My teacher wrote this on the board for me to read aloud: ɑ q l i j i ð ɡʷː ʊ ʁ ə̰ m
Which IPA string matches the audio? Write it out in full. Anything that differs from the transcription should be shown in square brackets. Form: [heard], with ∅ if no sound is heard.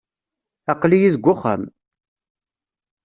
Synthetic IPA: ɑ q l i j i ð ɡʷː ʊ [χ] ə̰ m

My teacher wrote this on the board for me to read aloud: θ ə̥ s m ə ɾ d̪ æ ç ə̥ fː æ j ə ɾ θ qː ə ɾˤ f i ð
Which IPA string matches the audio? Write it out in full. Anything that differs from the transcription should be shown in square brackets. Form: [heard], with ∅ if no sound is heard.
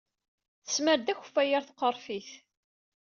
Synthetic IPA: θ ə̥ s m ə ɾ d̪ æ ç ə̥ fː æ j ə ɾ θ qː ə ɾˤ f i [θ]

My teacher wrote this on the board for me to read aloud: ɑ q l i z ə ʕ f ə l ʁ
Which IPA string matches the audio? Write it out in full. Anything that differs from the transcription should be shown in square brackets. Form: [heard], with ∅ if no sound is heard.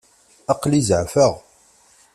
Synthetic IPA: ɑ q l i z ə ʕ f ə [∅] ʁ

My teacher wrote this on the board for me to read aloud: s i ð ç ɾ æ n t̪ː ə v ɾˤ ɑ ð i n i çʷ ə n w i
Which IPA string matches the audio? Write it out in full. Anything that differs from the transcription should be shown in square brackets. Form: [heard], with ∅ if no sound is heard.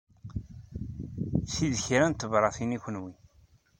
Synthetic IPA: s i ð ç ɾ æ n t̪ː ə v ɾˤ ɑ [θ] i n i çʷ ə n w i

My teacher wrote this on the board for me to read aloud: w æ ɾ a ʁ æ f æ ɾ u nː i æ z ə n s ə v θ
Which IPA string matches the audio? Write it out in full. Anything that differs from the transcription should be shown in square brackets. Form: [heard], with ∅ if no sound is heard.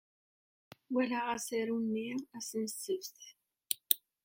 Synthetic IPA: w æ [l] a ʁ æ [s] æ ɾ u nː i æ [s] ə n s ə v θ

